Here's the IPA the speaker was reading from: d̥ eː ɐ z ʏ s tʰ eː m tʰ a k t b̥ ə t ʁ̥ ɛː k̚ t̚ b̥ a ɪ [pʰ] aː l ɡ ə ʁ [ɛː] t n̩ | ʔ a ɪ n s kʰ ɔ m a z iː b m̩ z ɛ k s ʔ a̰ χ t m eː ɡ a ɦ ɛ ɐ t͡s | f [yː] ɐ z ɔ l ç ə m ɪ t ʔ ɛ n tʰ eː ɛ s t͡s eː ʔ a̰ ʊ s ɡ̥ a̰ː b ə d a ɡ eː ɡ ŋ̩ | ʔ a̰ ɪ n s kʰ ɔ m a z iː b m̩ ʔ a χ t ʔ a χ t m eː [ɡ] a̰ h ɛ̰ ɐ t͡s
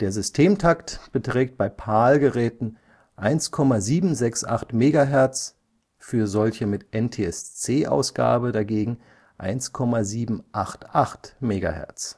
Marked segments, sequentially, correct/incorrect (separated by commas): correct, correct, correct, correct